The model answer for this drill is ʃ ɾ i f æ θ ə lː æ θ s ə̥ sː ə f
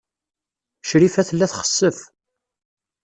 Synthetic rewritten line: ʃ ɾ i f æ θ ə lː æ θ χ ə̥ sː ə f

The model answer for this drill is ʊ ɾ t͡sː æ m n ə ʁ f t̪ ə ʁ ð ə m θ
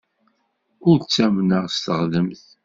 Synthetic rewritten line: ʊ ɾ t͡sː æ m n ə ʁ s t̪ ə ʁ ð ə m θ

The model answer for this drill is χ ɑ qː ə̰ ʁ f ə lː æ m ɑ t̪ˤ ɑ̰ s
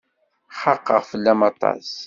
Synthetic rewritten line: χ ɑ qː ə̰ ʁ f ə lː æ m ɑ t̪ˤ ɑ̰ s

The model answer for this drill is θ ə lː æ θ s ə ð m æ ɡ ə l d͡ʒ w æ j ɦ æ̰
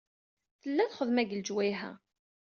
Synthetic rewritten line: θ ə lː æ θ χ ə ð m æ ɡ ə l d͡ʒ w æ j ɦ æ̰

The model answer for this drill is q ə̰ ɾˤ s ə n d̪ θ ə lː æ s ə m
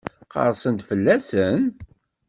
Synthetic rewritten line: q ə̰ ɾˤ s ə n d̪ f ə lː æ s ə n

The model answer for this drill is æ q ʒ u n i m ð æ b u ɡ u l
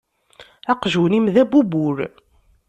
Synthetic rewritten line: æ q ʒ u n i m ð æ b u b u ɾ

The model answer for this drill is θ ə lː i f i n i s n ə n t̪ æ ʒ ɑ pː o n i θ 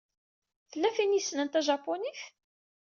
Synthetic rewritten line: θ ə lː æ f i n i s n ə n t̪ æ ʒ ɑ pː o n i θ

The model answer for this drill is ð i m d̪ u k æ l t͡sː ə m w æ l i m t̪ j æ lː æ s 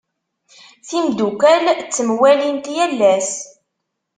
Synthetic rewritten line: θ i m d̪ u k æ l t͡sː ə m w æ l i n t̪ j æ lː æ s

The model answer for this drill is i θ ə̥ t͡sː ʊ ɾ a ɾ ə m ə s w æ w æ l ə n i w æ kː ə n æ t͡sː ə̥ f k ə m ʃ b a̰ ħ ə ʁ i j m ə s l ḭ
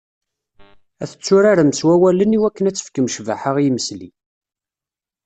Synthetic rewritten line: æ θ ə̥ t͡sː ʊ ɾ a ɾ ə m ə s w æ w æ l ə n i w æ kː ə n æ t͡sː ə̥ f k ə m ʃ v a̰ ħ ə ʁ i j m ə s l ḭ

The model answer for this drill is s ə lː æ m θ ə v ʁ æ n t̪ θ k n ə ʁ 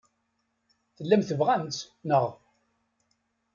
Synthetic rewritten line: θ ə lː æ m θ ə v ʁ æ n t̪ s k n ə ʁ

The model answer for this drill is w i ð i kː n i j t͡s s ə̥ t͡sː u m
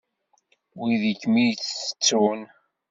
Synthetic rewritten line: w i ð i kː m i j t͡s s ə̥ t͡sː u n

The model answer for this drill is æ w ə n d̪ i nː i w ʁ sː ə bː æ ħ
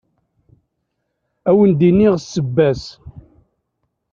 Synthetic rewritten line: æ w ə n d̪ i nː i ʁ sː ə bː æ s

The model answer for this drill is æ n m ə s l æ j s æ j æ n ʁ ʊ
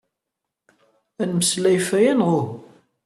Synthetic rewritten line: æ n m ə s l æ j f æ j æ n ʁ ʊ

